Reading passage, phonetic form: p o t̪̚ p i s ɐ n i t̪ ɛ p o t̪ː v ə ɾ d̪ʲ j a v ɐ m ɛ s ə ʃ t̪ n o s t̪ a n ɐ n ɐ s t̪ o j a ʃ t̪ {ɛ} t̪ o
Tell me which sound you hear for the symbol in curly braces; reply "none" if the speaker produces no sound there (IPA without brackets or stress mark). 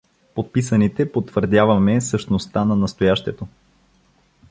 ɛ